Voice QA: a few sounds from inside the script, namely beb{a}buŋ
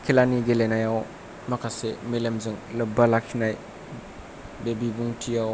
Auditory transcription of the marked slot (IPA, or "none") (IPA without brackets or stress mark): i